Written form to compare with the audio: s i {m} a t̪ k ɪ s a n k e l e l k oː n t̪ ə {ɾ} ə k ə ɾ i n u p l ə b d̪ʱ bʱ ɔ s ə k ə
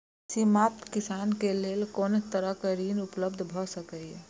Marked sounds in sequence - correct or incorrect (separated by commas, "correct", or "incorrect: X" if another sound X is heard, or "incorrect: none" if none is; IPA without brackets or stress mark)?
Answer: correct, correct